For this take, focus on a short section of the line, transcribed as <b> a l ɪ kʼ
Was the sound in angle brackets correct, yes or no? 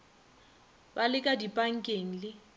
yes